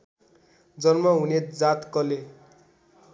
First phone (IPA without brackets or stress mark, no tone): d͡z